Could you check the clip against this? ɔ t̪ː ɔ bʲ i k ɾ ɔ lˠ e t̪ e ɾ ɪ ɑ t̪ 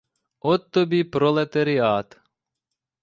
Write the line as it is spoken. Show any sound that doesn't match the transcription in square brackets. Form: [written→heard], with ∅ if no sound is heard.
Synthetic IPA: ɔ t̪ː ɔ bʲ i [k→p] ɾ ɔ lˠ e t̪ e ɾ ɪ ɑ t̪